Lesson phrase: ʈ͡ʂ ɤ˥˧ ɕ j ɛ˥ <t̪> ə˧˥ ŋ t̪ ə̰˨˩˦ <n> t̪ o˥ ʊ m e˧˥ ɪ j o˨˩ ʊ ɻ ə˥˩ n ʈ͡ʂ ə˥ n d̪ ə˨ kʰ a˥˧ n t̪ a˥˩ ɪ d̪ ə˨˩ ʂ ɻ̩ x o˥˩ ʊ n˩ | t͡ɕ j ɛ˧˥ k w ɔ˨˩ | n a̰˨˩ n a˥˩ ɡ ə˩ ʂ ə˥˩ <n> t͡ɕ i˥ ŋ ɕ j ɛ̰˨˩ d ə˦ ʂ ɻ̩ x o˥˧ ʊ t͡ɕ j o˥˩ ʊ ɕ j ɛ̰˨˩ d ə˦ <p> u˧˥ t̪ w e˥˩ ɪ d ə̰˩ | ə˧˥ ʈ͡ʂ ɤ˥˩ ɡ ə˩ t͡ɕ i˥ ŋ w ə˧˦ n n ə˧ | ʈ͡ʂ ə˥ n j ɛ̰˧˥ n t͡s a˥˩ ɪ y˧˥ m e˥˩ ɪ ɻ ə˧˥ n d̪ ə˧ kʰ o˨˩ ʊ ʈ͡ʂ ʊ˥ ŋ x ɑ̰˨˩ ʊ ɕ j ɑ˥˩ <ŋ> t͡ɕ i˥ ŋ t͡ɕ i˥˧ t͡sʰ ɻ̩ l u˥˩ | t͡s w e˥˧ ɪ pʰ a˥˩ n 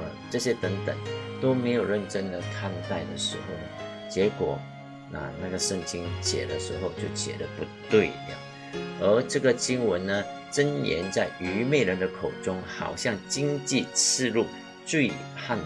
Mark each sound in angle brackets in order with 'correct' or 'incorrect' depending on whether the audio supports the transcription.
correct, incorrect: ŋ, incorrect: ŋ, correct, correct

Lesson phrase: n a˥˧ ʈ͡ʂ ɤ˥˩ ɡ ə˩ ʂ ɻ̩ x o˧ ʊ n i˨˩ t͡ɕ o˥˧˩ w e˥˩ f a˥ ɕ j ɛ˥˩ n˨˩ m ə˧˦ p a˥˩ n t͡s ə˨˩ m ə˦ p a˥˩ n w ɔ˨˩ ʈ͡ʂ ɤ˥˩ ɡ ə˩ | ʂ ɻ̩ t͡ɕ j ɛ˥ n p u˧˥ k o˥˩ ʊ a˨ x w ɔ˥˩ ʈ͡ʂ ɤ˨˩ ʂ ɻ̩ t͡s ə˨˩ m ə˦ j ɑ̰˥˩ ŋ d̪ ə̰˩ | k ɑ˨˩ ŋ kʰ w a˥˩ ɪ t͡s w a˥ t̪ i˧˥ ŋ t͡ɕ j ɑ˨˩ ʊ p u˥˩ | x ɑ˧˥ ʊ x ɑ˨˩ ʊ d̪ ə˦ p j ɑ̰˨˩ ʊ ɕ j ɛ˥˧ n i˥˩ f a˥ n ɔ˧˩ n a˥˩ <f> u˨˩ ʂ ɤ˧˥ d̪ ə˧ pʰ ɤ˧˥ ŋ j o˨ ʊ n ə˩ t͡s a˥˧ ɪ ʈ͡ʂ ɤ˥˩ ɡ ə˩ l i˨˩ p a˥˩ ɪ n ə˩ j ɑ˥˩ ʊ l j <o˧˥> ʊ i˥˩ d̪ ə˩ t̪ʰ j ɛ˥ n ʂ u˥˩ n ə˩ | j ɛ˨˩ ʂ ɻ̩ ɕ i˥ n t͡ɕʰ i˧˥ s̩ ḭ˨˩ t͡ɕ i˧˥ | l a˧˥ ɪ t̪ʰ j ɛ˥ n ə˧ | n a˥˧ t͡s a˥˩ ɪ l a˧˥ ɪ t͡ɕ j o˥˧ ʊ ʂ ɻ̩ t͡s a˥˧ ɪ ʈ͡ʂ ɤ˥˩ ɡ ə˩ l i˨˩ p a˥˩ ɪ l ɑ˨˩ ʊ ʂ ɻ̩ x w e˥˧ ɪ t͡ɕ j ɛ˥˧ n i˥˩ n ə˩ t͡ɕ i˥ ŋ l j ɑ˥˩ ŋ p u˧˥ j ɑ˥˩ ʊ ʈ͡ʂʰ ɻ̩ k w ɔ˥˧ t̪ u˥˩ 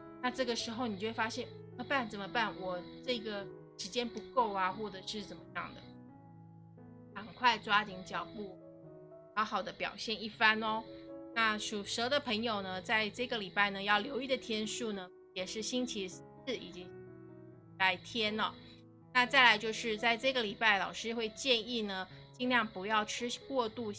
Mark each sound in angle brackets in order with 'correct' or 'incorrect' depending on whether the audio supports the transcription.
incorrect: ʂ, correct

